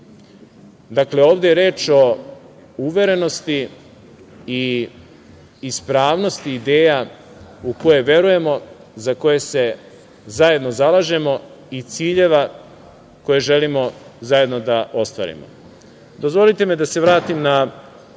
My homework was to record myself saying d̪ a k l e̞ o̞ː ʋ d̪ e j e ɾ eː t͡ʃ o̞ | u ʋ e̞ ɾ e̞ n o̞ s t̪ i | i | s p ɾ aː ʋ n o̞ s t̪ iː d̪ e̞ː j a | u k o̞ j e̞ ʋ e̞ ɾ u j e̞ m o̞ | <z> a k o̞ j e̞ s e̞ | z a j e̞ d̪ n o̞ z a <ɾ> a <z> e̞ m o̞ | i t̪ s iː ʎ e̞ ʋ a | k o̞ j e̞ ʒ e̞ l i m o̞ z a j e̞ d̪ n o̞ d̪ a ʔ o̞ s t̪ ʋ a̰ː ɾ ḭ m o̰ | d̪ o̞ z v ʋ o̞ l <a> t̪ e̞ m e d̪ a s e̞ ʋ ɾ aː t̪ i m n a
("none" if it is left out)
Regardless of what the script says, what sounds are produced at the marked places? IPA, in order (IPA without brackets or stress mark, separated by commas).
z, l, ʒ, i